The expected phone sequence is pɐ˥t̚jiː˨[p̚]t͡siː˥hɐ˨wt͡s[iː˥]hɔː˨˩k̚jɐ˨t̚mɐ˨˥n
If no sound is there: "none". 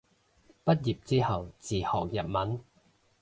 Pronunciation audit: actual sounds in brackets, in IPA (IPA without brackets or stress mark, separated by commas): p̚, iː˨